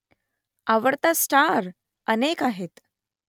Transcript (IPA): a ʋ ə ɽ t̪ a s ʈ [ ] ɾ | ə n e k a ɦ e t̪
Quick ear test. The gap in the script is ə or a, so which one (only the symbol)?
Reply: a